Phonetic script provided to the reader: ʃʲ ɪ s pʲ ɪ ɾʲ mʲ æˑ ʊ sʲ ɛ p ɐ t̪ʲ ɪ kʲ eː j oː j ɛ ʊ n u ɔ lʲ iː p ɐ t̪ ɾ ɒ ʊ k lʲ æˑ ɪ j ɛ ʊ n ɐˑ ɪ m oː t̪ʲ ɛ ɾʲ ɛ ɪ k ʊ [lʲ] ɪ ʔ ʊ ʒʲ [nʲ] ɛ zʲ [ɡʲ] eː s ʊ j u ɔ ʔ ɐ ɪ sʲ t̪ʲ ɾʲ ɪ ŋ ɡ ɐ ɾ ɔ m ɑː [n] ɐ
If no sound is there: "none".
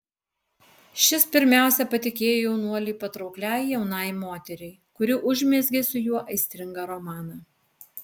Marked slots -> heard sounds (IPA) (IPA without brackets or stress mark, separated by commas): ɾʲ, mʲ, ɡʲ, n